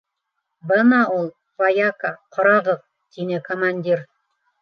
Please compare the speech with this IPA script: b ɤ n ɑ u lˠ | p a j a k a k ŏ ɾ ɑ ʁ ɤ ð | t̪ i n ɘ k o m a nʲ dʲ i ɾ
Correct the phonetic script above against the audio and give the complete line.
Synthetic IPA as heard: b ɤ n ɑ u lˠ | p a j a k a q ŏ ɾ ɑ ʁ ɤ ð | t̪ i n ɘ k o m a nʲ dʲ i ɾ